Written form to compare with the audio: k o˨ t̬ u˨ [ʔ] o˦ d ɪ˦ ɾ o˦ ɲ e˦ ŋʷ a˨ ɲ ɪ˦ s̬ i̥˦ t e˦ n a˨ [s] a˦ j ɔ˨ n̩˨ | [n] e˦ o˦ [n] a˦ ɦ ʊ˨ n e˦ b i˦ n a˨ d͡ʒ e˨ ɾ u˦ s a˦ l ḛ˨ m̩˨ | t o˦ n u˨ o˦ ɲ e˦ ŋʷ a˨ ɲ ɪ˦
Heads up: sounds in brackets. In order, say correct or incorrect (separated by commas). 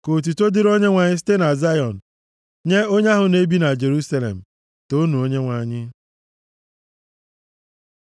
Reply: incorrect, incorrect, incorrect, incorrect